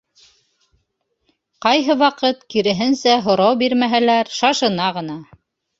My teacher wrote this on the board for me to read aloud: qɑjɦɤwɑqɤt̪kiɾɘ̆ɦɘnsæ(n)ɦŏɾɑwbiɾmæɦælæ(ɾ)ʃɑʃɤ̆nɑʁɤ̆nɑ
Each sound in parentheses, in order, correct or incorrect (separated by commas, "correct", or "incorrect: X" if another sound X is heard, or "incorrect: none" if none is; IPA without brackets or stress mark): incorrect: none, correct